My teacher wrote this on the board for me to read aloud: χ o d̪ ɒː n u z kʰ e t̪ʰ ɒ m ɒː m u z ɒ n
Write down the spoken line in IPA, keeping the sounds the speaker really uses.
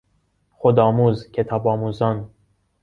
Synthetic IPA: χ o d̪ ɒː m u z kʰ e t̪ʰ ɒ b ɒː m u z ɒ n